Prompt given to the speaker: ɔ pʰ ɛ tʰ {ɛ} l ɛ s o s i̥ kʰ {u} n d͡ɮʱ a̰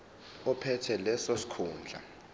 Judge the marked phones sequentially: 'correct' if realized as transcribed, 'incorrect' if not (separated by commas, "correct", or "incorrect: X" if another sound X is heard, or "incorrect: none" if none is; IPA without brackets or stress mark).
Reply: correct, incorrect: uː